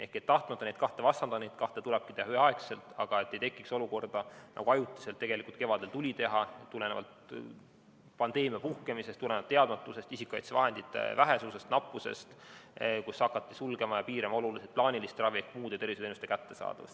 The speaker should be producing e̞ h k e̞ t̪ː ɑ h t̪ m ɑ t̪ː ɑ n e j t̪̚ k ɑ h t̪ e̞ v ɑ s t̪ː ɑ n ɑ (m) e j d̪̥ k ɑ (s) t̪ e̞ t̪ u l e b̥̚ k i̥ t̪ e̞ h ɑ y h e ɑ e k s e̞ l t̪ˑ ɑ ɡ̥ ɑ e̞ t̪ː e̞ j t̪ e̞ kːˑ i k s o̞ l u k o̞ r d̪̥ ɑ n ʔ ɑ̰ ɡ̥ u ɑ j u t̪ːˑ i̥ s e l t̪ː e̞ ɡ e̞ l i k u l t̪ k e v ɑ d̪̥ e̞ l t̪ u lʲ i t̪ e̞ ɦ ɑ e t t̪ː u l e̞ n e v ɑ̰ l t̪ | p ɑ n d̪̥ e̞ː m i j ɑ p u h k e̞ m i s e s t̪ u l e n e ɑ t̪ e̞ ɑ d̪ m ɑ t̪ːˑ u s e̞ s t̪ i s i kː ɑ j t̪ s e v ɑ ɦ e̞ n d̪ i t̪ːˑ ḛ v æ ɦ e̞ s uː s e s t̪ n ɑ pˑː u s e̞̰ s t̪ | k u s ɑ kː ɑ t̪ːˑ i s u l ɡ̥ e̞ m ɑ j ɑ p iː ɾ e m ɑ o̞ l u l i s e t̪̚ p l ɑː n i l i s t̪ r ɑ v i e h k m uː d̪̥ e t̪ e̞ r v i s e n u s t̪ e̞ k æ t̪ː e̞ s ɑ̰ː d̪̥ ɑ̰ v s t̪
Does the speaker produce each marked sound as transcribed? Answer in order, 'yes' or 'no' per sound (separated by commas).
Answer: no, no